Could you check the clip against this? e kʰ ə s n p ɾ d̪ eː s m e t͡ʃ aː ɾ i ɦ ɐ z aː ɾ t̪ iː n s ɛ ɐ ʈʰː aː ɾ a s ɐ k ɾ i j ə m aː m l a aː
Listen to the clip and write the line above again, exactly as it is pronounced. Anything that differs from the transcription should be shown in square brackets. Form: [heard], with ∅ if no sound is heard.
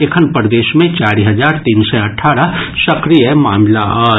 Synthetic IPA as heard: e kʰ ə [∅] n p ɾ d̪ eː [ʃ] m [ẽ] t͡ʃ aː ɾ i ɦ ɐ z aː ɾ t̪ iː n s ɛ ɐ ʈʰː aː ɾ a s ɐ k ɾ i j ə m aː m l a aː